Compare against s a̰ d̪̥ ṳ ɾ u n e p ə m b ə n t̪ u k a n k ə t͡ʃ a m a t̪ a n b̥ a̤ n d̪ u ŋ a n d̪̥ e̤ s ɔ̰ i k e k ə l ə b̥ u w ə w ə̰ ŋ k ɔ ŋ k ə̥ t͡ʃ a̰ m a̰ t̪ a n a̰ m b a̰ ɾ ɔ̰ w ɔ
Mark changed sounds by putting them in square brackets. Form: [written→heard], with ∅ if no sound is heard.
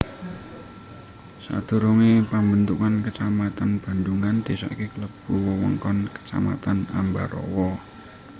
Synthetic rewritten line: s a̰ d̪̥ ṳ ɾ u [n→ŋ] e p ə m b ə n t̪ u k a n k ə t͡ʃ a m a t̪ a n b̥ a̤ n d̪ u ŋ a n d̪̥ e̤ s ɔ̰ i k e k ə l ə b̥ u w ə w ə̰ ŋ k ɔ [ŋ→n] k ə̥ t͡ʃ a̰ m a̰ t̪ a n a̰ m b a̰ ɾ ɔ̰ w ɔ